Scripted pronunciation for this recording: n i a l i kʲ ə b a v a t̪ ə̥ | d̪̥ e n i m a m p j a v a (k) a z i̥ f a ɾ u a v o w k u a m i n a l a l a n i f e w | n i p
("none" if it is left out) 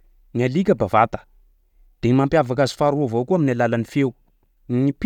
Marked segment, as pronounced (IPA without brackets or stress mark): k